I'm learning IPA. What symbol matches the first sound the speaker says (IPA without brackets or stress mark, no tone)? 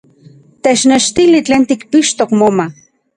t̪